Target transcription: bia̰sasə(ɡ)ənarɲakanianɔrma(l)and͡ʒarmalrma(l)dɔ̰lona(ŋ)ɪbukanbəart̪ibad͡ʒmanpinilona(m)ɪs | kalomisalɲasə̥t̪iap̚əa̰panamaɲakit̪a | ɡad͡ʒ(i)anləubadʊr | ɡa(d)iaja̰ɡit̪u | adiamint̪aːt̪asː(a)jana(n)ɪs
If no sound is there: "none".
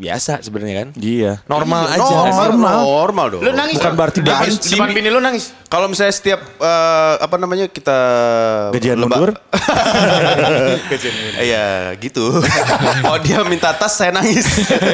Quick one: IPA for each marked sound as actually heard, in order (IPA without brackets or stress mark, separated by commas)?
b, l, l, ŋ, ŋ, i, d͡ʒ, a, ŋ